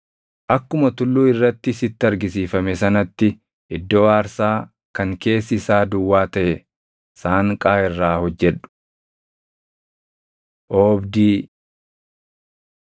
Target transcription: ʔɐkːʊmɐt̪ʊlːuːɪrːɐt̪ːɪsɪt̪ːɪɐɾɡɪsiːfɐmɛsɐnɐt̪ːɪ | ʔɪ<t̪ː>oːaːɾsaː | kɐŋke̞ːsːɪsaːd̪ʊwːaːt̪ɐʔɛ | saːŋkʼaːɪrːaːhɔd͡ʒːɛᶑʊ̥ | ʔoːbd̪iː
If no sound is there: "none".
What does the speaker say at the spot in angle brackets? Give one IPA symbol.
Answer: d̪ː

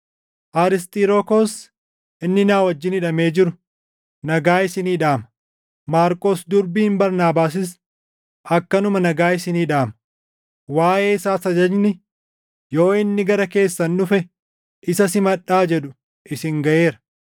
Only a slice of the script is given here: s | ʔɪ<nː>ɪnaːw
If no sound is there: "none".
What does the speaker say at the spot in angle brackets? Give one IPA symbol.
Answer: nː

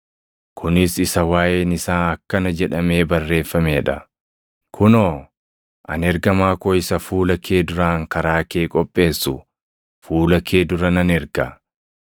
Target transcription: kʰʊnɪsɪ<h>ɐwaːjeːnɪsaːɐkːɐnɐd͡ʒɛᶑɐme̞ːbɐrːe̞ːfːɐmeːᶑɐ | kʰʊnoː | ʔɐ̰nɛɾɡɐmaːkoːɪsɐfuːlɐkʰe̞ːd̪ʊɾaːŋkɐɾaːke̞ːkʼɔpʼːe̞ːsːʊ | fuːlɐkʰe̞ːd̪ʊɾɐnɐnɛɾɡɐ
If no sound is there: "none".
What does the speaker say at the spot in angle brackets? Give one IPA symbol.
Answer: s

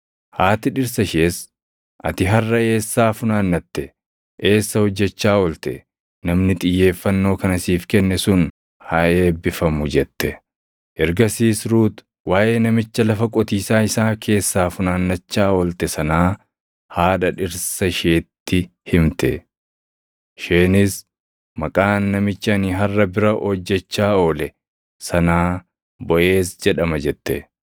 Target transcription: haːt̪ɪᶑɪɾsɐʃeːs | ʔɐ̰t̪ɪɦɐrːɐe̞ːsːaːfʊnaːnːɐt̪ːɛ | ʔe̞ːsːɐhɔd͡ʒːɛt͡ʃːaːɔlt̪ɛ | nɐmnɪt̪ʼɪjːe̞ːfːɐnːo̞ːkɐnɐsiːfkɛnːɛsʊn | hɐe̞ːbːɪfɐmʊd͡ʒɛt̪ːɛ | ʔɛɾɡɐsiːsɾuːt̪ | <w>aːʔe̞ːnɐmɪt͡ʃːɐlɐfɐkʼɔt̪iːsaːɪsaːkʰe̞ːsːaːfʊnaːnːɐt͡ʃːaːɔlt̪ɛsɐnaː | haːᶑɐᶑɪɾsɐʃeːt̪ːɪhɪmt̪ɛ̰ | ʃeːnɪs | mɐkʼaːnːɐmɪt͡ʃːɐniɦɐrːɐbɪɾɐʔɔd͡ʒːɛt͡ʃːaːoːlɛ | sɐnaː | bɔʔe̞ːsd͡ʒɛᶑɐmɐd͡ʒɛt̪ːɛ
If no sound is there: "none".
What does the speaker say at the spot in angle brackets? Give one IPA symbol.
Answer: w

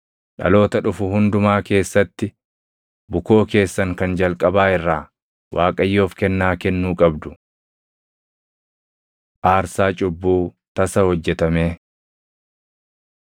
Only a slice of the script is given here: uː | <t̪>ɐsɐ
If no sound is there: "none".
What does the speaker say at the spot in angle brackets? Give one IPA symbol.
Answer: t̪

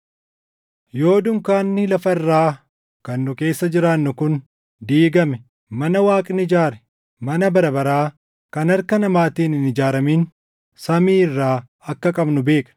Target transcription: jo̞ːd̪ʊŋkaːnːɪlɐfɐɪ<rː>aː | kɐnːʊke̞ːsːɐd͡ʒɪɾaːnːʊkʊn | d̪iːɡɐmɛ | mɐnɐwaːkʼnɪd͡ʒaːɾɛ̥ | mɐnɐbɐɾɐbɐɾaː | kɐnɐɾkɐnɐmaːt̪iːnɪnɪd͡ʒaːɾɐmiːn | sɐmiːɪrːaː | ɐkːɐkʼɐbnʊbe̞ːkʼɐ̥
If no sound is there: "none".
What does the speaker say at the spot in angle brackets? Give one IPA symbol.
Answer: rː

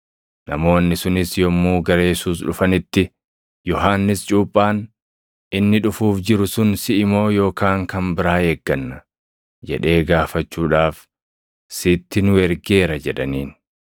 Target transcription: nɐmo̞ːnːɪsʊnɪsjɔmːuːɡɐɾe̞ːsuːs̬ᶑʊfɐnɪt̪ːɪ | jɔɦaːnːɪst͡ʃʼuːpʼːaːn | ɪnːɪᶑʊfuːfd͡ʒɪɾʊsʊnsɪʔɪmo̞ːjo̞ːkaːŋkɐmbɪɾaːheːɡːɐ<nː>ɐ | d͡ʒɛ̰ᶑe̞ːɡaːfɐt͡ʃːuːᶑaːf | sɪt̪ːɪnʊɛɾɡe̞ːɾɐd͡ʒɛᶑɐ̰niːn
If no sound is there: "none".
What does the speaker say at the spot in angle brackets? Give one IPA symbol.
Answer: nː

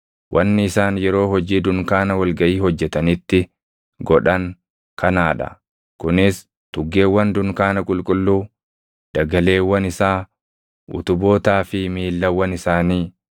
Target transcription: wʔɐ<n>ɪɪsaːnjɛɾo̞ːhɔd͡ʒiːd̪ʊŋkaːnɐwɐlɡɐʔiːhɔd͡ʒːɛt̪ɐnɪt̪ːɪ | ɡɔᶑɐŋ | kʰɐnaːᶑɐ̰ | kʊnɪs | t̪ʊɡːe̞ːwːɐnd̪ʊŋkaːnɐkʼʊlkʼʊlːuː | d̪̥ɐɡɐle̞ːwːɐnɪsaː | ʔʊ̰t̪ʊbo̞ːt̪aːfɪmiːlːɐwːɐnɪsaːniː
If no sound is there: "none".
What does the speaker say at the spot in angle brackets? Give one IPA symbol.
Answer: nː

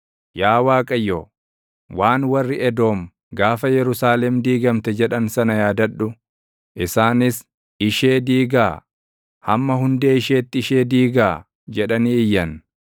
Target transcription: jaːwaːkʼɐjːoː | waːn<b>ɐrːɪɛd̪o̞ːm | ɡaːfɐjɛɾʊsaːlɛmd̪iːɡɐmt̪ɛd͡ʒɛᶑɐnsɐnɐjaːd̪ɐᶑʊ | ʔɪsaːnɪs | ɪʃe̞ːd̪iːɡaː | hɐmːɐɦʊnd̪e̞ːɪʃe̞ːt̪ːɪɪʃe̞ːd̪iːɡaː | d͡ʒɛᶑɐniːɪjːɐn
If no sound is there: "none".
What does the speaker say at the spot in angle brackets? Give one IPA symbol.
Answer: w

